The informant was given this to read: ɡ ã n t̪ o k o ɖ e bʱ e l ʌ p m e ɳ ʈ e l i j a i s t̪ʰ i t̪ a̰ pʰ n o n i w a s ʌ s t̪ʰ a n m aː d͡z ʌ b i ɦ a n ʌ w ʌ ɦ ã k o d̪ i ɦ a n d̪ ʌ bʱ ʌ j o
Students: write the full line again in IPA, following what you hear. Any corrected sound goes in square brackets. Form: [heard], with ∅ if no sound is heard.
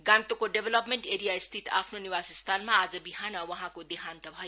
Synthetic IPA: ɡ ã n t̪ o k o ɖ e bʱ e l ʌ p m e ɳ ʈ e [ɾ] i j a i s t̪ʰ i t̪ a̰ pʰ n o n i w a s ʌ s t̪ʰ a n m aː d͡z ʌ b i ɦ a n ʌ w ʌ ɦ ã k o d̪ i ɦ a n [t̪] ʌ bʱ ʌ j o